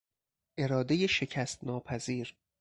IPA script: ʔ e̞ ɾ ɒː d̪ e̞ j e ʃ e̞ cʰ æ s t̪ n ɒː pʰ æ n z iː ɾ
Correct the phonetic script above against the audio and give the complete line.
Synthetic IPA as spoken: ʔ e̞ ɾ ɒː d̪ e̞ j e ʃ e̞ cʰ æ s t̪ n ɒː pʰ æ z iː ɾ

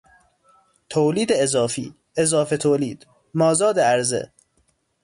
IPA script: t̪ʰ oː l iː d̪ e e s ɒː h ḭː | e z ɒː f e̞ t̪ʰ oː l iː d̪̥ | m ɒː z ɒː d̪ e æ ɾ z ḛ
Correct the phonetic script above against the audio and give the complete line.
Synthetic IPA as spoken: t̪ʰ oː l iː d̪ e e z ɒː f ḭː | e z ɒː f e̞ t̪ʰ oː l iː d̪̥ | m ɒː z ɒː d̪ e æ ɾ z ḛ

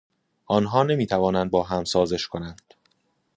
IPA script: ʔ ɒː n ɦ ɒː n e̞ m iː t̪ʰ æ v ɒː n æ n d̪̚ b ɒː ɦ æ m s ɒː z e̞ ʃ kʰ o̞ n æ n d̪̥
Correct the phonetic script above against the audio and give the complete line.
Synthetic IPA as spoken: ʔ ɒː n ɦ ɒː n e̞ m iː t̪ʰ æ v ɒː n æ n d̪̚ b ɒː ɦ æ m s ɒː z e̞ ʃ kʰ o̞ n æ n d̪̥

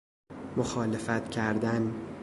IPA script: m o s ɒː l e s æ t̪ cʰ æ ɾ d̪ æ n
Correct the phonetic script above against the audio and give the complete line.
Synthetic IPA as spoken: m o x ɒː l e f æ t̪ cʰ æ ɾ d̪ æ n

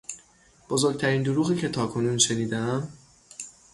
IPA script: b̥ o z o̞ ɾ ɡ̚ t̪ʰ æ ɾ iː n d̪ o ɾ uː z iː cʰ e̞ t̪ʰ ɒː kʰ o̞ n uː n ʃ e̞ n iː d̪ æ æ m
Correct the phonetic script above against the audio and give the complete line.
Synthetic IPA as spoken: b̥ o z o̞ ɾ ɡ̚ t̪ʰ æ ɾ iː n d̪ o ɾ uː ɣ iː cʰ e̞ t̪ʰ ɒː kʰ o̞ n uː n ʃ e̞ n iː d̪ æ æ m

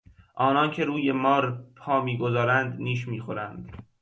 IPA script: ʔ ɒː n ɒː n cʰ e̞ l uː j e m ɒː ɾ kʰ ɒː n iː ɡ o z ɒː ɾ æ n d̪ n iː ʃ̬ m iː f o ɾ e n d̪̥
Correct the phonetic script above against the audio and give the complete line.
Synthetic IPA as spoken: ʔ ɒː n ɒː n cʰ e̞ ɾ uː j e m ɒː ɾ pʰ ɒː m iː ɡ o z ɒː ɾ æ n d̪ n iː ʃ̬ m iː x o ɾ æ n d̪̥

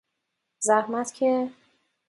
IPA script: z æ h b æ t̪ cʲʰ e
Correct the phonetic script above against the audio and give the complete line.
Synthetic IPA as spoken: z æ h m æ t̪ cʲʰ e

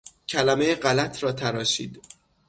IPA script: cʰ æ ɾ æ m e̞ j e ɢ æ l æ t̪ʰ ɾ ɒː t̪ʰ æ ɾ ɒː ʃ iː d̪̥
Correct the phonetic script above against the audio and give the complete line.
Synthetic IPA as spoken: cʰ æ l æ m e̞ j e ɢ æ l æ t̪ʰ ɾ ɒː t̪ʰ æ ɾ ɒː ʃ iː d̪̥

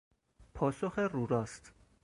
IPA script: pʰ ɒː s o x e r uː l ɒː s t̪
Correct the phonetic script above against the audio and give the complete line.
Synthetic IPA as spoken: pʰ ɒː s o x e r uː ɾ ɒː s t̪

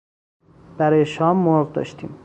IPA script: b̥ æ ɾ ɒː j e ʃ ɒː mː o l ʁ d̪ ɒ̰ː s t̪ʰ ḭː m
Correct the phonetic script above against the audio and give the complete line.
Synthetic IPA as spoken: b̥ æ ɾ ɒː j e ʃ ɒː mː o ɾ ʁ d̪ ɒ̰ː ʃ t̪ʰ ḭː m

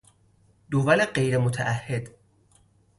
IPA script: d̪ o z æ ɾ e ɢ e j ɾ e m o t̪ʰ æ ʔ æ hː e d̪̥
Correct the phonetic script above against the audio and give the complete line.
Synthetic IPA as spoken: d̪ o v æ l e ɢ e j ɾ e m o t̪ʰ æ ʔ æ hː e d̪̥

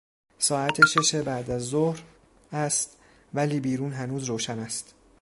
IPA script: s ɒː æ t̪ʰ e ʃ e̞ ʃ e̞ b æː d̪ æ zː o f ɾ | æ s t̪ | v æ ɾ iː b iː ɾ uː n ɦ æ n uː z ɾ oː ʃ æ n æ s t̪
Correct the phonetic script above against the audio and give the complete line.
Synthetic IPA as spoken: s ɒː æ t̪ʰ e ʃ e̞ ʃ e̞ b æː d̪ æ zː o h ɾ | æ s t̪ | v æ l iː b iː ɾ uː n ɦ æ n uː z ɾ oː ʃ æ n æ s t̪

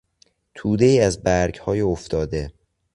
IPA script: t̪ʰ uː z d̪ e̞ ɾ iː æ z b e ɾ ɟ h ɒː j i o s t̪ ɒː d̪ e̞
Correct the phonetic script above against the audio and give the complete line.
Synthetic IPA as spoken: t̪ʰ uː d̪ e̞ iː æ z b æ ɾ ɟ h ɒː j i o f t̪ ɒː d̪ e̞

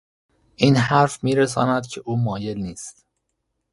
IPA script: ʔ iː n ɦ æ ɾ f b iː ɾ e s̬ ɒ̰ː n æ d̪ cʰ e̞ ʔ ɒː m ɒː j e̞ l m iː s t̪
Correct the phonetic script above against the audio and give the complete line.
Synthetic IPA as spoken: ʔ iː n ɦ æ ɾ f m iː ɾ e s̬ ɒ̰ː n æ d̪ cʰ e̞ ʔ uː m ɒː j e̞ l n iː s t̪

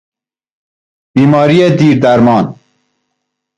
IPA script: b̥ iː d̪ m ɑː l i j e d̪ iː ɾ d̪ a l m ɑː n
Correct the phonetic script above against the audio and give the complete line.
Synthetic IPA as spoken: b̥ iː m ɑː ɾ i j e d̪ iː ɾ d̪ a ɾ m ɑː n

